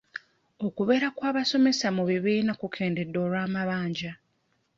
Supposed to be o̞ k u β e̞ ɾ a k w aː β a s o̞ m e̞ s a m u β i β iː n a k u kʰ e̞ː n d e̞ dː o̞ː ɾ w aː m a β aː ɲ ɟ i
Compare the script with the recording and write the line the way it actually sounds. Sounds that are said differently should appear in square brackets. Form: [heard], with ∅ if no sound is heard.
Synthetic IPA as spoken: o̞ k u β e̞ ɾ a k w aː β a s o̞ m e̞ s a m u β i β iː n a k u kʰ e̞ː n d e̞ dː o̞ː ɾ w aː m a β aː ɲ ɟ [a]

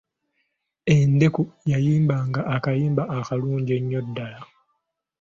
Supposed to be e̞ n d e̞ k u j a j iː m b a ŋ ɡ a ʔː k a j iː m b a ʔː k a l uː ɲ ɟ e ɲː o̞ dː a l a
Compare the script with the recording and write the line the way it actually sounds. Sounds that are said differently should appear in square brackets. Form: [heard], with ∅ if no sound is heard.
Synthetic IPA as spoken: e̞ n d e̞ k u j a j iː m b a ŋ ɡ a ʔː k a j iː m b a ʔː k a l uː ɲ ɟ e ɲː o̞ dː a l a

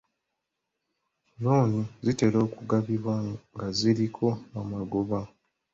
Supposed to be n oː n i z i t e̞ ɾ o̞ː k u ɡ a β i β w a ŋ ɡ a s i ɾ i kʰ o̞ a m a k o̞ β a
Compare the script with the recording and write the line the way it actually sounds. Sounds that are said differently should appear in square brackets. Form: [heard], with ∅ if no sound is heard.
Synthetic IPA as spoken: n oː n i z i t e̞ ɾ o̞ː k u ɡ a β i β w a ŋ ɡ a [z] i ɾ i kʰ o̞ a m a [ɡ] o̞ β a

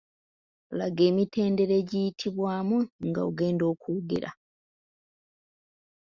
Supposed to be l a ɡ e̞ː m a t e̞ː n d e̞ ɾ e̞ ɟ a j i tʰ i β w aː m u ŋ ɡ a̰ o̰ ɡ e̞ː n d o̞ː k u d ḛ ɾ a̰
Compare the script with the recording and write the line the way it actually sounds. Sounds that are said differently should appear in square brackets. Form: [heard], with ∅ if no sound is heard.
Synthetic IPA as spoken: l a ɡ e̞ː m [i] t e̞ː n d e̞ ɾ e̞ ɟ [i] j i tʰ i β w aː m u ŋ ɡ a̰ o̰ ɡ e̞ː n d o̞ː k u [ɡ] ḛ ɾ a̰

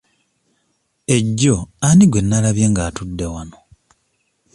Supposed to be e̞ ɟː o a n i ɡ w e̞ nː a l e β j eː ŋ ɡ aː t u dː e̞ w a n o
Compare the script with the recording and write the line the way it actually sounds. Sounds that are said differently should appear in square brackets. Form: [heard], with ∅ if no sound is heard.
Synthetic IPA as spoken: e̞ ɟː o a n i ɡ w e̞ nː a l [a] β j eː ŋ ɡ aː t u dː e̞ w a n o

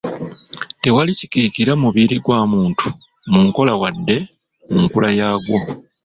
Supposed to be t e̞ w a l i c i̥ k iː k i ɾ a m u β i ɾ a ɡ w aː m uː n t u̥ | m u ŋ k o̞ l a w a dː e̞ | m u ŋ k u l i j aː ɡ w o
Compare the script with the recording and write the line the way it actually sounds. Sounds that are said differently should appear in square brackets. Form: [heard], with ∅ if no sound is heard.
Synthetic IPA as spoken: t e̞ w a l i c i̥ k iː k i ɾ a m u β i ɾ [i] ɡ w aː m uː n t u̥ | m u ŋ k o̞ l a w a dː e̞ | m u ŋ k u l [a] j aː ɡ w o

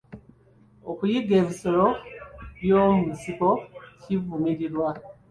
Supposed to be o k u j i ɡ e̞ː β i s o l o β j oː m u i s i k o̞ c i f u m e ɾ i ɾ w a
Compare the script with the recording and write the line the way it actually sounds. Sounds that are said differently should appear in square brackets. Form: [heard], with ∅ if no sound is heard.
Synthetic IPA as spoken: o k u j i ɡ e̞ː β i s o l o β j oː m u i s i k o̞ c i [v] u m [i] ɾ i ɾ w a

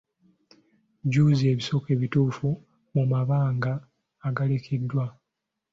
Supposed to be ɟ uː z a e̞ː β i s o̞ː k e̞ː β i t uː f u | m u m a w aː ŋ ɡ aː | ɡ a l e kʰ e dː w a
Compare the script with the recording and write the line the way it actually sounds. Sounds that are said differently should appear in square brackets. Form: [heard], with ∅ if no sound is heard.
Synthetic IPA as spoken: ɟ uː z [i] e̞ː β i s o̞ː k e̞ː β i t uː f u | m u m a [β] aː ŋ ɡ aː | ɡ a l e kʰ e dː w a

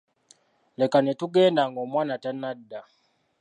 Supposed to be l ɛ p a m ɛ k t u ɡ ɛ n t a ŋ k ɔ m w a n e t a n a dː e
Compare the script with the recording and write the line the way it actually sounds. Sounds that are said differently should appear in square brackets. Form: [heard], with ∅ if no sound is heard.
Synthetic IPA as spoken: l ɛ [k] a [n] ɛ [∅] t u ɡ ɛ n [d] a ŋ [ɡ] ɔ m w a n [a] t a n a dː [a]

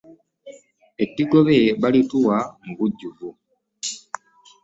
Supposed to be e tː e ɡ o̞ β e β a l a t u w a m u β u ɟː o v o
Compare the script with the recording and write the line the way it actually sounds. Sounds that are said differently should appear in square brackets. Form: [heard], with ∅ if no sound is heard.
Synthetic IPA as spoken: e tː [i] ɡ o̞ β e β a l [i] t u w a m u β u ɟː [u] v [u]

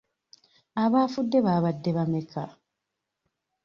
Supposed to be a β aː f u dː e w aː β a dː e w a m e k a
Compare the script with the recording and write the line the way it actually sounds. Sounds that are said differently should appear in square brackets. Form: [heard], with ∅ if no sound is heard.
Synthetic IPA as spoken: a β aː f u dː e [β] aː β a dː e [β] a m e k a

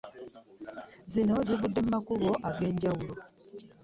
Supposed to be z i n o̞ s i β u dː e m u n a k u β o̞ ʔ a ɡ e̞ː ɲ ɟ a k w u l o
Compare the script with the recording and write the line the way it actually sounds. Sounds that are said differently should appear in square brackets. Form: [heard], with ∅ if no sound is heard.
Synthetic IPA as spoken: z i n o̞ [z] i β u dː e m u [m] a k u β o̞ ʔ a ɡ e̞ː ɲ ɟ a [∅] w u l o

